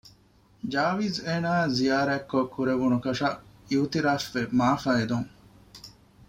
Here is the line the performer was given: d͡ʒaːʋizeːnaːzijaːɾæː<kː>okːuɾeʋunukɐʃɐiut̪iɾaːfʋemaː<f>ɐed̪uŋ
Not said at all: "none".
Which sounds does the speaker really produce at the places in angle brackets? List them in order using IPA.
kː, f

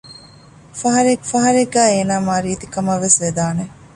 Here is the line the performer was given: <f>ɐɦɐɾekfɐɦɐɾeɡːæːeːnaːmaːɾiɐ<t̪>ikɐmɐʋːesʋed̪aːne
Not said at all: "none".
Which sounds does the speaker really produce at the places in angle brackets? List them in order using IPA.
f, t̪

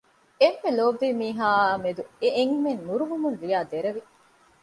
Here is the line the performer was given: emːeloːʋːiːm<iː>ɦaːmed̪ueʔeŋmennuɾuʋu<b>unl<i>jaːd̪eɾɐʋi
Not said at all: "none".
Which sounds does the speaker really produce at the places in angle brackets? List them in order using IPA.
iː, m, i

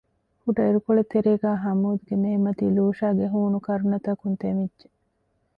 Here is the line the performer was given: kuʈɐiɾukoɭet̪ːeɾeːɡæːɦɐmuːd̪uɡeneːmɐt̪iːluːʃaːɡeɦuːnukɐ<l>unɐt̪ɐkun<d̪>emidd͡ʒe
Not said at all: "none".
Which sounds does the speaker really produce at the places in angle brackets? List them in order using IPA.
ɾ, t̪

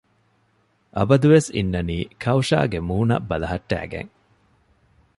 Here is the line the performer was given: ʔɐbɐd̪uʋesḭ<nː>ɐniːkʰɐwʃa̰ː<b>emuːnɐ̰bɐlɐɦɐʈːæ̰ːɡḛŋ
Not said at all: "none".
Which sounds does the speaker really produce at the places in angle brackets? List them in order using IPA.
nː, ɡ

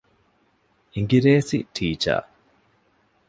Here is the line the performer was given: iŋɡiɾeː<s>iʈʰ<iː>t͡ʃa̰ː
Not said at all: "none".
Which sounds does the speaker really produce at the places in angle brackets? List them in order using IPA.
s, iː

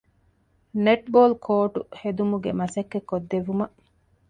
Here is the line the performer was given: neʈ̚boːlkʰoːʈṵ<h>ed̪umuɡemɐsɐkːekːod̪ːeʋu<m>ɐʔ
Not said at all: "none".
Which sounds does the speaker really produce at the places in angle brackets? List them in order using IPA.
h, m

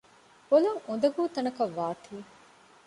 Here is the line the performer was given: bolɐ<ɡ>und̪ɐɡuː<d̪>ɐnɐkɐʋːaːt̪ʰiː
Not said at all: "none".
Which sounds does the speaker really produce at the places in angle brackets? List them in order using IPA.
ŋ, t̪

